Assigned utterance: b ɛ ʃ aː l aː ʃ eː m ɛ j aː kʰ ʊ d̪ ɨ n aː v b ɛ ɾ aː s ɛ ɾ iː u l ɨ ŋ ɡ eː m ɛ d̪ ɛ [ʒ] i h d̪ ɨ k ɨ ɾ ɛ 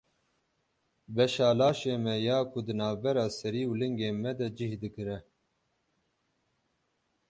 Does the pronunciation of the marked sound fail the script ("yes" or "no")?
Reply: yes